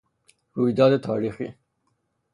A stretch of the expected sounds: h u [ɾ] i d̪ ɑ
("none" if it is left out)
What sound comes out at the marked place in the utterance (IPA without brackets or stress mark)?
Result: none